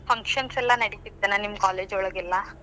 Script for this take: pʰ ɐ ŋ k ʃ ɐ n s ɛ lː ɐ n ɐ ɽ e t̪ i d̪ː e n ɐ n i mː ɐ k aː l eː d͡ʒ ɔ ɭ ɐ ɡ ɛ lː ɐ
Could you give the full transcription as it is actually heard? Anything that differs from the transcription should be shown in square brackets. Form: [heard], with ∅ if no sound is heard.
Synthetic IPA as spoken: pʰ ɐ ŋ k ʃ ɐ n s ɛ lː ɐ n ɐ ɽ [i] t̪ i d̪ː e n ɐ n i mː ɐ k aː l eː d͡ʒ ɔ ɭ ɐ ɡ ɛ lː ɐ